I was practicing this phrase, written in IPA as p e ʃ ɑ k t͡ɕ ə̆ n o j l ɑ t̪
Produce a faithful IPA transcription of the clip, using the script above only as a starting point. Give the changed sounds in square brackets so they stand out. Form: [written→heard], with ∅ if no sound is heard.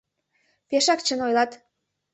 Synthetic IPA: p e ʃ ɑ k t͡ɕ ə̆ n o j l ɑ t̪